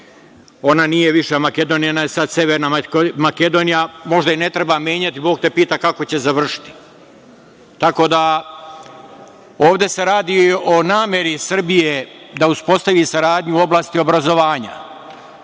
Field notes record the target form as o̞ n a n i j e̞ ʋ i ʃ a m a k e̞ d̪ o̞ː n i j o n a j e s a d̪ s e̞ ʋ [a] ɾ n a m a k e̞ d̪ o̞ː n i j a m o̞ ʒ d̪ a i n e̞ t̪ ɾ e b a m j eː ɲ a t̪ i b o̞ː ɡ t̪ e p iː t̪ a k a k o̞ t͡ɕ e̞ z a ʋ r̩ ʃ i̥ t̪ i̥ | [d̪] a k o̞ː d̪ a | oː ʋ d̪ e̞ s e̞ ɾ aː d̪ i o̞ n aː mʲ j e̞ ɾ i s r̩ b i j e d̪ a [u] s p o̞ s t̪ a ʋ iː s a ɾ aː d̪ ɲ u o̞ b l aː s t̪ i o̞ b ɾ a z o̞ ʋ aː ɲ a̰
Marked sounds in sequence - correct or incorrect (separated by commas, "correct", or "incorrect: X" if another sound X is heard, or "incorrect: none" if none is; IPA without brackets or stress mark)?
incorrect: e, incorrect: t̪, correct